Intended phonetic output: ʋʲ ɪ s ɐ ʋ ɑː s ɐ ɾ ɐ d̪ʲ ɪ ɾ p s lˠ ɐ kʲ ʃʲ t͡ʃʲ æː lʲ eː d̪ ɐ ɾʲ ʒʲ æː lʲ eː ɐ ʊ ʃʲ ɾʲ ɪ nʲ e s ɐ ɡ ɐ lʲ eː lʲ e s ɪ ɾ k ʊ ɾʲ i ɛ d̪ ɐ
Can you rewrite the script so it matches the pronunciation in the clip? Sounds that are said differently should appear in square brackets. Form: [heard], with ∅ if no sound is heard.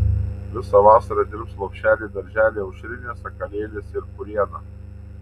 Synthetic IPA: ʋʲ ɪ s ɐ ʋ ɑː s ɐ ɾ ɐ d̪ʲ ɪ ɾ p s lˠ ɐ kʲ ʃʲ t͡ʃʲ æː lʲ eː d̪ ɐ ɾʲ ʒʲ æː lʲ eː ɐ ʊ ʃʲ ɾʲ ɪ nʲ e s ɐ [k] ɐ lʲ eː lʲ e s ɪ ɾ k ʊ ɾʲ i ɛ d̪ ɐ